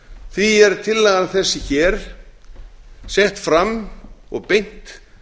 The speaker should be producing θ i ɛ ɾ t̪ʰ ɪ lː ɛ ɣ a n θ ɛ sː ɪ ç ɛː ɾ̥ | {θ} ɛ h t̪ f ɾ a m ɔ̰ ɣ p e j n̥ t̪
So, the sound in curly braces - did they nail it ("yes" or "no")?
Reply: no